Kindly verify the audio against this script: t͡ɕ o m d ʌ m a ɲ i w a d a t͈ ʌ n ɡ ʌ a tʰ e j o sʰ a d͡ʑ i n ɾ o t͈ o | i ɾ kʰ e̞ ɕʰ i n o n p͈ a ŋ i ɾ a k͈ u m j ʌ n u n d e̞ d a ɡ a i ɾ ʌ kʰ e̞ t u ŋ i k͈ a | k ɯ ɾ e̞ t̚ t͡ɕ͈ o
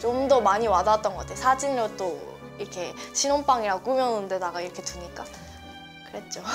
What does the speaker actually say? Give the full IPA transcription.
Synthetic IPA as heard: t͡ɕ o m d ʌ m a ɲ i w a d a t͈ ʌ n ɡ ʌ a tʰ e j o sʰ a d͡ʑ i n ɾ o t͈ o | i ɾ kʰ e̞ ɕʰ i n o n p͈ a ŋ i ɾ a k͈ u m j ʌ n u n d e̞ d a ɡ a i ɾ ʌ kʰ e̞ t u ɲ i k͈ a | k ɯ ɾ e̞ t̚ t͡ɕ͈ o